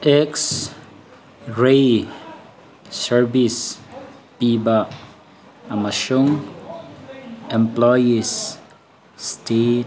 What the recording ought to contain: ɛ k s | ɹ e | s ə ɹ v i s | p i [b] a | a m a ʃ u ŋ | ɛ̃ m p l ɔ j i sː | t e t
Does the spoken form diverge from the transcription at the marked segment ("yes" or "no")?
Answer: no